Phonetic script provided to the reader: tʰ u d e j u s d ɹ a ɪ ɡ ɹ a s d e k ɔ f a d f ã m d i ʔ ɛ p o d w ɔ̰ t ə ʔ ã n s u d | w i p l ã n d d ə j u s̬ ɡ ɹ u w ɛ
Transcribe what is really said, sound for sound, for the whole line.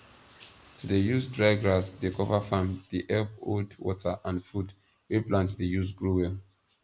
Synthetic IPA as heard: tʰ u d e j u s d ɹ a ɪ ɡ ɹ a s d e k ɔ v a f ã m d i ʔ ɛ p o d w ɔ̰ t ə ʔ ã n f u d | w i p l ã n t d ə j u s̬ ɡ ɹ u w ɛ